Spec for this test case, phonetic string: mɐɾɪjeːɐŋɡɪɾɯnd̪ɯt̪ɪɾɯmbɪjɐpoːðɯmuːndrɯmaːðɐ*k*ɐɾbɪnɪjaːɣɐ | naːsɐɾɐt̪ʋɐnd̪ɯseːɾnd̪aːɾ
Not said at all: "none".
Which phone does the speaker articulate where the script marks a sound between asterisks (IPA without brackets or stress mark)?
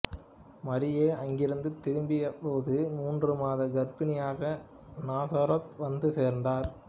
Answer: ɡ